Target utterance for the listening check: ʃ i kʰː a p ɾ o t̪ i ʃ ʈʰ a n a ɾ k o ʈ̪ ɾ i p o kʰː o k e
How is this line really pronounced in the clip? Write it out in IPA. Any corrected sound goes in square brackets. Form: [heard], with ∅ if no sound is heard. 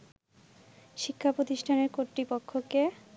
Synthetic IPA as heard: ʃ i kʰː a p ɾ o t̪ i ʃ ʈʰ a n [e] ɾ k o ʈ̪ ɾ i p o kʰː o k e